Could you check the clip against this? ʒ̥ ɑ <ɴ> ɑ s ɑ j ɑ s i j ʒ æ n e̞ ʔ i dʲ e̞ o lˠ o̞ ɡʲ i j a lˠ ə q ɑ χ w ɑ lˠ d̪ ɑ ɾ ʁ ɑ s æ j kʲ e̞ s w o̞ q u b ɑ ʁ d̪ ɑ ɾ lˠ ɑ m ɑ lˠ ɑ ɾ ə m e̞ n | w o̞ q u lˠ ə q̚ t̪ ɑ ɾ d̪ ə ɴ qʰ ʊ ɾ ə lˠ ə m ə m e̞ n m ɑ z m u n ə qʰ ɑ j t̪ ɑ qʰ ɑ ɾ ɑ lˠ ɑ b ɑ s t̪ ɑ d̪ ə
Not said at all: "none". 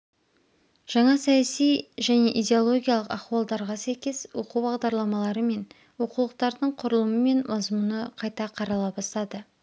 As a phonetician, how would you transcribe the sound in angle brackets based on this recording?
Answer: ɴ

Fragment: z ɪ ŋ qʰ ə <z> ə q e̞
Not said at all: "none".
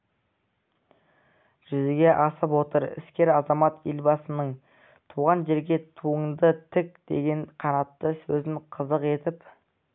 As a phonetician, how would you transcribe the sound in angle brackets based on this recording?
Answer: z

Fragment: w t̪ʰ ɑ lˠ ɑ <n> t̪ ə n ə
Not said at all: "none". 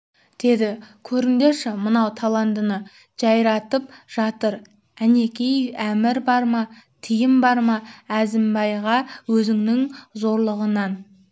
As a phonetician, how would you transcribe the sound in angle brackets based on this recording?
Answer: n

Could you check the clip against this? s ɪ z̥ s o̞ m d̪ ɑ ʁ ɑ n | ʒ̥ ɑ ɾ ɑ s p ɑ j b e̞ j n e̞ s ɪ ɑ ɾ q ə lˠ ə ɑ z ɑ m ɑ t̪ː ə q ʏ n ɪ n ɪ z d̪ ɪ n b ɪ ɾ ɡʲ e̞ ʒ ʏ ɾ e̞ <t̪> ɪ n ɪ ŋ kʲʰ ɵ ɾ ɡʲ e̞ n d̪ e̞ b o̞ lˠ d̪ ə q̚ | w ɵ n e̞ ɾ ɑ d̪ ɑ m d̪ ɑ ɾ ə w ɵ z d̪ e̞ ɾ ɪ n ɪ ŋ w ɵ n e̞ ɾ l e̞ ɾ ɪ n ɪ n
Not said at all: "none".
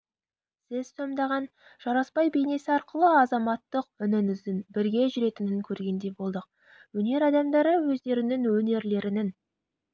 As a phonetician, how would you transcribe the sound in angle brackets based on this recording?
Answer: t̪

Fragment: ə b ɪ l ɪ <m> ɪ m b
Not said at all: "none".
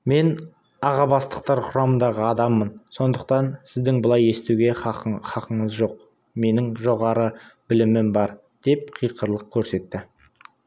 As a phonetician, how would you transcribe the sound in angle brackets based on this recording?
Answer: m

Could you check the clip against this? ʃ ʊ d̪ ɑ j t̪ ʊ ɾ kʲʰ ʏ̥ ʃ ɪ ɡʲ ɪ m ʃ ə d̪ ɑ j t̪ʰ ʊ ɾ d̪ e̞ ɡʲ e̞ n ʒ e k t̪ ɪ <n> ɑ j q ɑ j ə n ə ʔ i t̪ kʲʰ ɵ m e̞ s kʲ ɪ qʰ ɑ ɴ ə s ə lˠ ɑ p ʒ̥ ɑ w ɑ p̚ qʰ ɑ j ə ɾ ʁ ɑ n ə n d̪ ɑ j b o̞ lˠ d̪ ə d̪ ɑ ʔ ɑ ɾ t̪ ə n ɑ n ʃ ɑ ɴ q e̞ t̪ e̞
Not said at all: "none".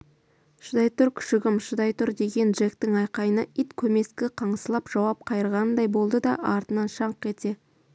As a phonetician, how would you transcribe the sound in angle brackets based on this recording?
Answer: ŋ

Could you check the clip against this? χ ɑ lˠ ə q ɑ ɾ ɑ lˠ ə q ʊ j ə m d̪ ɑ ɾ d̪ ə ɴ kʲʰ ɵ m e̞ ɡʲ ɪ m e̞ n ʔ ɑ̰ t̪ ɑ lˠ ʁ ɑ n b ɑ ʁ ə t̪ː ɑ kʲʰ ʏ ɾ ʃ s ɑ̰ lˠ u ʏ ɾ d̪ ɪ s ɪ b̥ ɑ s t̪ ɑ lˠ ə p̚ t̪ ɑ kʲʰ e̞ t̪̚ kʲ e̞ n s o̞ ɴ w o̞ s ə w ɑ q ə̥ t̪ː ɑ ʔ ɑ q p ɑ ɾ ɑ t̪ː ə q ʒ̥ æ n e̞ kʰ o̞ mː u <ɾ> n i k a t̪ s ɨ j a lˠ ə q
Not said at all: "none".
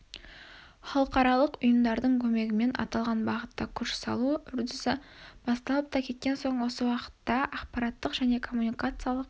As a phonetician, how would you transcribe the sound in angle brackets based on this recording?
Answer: none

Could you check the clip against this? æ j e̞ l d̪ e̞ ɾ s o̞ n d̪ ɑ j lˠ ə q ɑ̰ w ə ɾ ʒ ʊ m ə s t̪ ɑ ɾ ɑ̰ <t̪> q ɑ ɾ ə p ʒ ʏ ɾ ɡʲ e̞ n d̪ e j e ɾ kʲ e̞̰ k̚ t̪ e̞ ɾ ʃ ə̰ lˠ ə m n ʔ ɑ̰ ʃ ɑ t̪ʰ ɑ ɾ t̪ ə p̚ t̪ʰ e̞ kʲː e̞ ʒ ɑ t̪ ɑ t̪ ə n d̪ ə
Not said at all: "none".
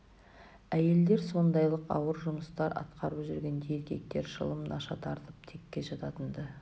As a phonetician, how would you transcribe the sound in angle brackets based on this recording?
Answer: t̪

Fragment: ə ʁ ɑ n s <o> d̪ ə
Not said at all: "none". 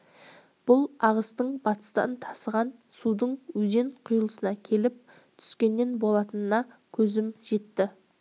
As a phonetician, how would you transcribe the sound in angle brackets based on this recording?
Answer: u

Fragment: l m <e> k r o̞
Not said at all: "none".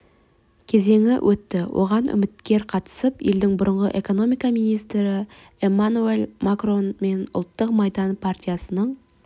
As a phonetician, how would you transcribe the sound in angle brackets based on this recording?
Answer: a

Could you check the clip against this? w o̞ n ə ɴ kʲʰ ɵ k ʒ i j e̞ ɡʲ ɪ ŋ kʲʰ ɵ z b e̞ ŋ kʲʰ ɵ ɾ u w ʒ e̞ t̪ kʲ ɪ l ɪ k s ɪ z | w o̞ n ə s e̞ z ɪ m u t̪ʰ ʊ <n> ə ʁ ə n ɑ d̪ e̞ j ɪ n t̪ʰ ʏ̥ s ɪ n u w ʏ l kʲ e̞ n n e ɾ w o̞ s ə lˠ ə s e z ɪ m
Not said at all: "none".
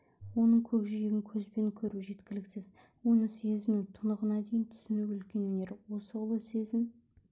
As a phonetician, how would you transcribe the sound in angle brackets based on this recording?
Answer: n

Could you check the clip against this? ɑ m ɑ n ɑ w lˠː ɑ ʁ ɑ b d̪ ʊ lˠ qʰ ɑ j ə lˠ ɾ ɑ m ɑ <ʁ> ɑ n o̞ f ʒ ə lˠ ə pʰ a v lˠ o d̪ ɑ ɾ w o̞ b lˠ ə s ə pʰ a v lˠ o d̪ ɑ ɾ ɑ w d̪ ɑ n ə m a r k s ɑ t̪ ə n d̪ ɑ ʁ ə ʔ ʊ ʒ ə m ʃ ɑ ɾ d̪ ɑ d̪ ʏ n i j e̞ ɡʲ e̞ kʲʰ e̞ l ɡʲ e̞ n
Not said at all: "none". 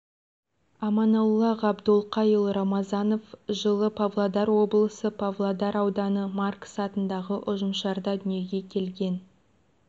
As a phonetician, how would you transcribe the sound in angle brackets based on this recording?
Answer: z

